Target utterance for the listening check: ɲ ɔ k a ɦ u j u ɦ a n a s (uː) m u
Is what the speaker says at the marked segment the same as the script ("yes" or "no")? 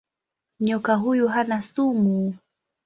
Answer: no